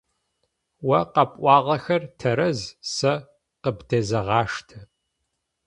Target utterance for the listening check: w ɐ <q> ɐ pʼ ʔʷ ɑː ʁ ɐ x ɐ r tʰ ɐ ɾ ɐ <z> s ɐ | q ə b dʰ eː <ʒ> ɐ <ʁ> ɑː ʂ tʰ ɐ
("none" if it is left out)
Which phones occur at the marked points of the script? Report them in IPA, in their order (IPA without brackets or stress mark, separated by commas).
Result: q, z, z, ʁ